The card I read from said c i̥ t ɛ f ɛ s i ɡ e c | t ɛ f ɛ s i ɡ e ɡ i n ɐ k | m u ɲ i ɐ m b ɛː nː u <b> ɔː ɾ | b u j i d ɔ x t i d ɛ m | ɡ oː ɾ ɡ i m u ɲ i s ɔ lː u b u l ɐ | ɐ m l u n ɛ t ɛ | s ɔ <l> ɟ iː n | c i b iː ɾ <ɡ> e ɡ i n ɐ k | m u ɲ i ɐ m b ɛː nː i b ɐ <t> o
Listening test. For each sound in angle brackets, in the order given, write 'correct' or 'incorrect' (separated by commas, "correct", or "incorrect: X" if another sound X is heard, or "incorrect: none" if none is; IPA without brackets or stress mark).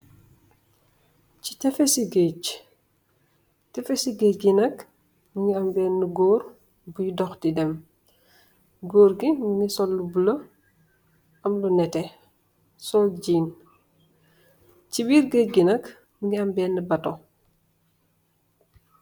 incorrect: ɡ, correct, correct, correct